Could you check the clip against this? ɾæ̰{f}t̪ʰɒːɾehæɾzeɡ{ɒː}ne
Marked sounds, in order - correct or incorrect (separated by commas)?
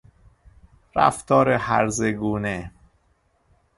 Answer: correct, incorrect